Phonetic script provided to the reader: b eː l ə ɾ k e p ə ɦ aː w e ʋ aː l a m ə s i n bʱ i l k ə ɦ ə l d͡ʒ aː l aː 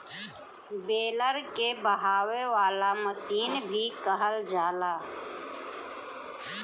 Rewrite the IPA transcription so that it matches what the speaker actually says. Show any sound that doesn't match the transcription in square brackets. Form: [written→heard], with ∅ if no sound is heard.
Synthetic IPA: b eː l ə ɾ k e [p→b] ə ɦ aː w e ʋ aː l a m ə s [i→iː] n bʱ i [l→∅] k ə ɦ ə l d͡ʒ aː l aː